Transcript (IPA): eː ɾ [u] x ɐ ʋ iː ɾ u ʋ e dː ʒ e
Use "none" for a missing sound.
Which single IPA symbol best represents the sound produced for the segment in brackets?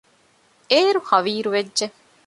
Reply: u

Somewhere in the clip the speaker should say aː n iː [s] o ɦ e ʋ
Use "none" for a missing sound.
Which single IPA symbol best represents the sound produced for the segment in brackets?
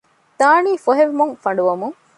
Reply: f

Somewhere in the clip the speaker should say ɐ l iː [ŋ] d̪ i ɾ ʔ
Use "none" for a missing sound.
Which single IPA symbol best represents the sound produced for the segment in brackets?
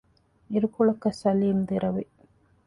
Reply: m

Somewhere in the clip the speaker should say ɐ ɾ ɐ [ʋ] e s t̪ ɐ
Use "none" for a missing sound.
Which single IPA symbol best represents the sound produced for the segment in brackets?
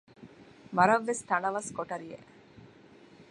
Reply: ʋː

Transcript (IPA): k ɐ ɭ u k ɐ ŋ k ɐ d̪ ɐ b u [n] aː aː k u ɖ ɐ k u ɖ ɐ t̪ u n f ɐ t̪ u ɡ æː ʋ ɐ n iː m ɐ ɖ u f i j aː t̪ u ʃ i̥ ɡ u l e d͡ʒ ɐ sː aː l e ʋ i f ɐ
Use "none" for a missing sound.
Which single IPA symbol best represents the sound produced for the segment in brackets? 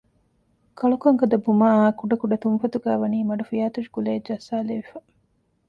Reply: m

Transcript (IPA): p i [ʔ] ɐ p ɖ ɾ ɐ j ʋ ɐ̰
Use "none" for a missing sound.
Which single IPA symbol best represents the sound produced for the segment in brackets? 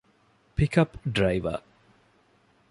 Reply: k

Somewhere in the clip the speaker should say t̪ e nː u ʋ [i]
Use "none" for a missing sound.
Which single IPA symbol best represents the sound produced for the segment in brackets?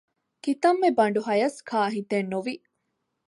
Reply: i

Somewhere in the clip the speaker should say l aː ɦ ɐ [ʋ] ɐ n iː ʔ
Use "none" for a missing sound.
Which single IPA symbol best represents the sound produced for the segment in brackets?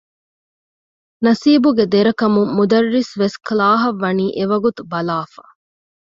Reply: ʋː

